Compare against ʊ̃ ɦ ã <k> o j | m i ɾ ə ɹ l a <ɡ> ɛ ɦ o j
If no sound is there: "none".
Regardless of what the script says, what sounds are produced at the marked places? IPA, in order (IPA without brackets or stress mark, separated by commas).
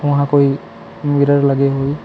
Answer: k, ɡ